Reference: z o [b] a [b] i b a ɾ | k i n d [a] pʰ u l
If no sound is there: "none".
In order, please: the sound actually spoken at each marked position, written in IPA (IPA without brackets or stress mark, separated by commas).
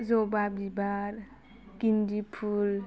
b, b, i